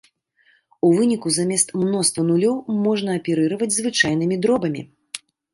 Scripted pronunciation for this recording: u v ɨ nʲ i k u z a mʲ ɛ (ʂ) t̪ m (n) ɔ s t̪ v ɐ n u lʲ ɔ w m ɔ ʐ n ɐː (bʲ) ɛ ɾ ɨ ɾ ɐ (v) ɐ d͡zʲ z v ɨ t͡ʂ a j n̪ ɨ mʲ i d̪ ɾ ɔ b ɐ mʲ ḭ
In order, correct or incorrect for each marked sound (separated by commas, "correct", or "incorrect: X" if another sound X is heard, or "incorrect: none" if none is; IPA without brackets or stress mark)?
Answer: incorrect: s, correct, incorrect: pʲ, correct